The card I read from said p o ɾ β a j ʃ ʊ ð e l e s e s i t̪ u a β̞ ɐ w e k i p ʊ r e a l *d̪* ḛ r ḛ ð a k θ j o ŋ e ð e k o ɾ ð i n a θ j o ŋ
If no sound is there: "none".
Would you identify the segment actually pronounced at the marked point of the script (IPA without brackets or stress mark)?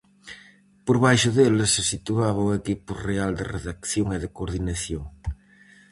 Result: d̪